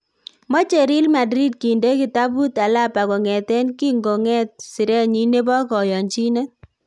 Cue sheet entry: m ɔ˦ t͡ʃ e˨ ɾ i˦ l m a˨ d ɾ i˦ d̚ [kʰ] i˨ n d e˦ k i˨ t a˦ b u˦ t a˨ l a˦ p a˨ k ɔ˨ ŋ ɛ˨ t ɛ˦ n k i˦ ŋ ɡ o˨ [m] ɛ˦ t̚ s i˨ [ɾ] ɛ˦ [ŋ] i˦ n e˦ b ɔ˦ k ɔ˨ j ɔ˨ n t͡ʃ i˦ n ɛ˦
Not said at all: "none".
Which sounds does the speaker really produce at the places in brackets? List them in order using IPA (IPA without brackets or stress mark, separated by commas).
k, ŋ, ɾ, ɲ